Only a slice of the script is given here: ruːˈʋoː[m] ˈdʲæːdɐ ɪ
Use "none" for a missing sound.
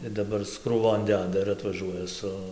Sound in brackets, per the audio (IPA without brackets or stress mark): n